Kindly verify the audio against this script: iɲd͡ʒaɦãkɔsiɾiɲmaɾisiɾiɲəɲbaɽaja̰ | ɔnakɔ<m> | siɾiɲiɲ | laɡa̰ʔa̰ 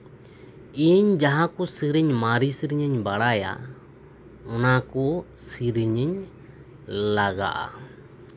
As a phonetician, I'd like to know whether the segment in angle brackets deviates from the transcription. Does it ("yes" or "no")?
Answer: yes